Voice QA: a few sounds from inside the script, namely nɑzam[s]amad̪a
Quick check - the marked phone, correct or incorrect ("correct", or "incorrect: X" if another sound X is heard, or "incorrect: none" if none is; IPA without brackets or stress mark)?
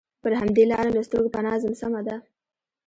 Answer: correct